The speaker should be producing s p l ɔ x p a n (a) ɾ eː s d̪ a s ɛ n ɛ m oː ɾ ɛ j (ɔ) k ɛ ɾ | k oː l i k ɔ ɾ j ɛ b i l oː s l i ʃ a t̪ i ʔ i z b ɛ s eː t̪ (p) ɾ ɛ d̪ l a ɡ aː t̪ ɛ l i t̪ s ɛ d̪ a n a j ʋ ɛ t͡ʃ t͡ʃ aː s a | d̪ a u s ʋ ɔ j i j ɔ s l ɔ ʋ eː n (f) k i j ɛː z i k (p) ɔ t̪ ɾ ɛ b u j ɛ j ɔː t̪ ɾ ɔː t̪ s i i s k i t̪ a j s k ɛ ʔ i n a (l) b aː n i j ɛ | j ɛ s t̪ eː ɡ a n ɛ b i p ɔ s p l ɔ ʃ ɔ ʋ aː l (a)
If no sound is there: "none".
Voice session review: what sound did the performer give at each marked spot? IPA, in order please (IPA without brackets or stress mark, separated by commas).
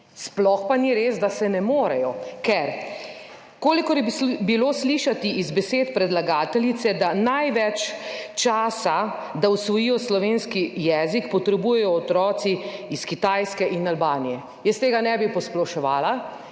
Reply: i, ɔ, p, s, p, l, a